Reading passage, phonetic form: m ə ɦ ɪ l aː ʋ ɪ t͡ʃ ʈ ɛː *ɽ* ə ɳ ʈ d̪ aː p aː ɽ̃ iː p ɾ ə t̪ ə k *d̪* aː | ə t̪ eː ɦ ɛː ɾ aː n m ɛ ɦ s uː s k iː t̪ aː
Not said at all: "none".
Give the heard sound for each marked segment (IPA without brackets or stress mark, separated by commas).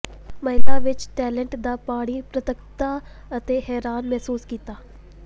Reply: l, t̪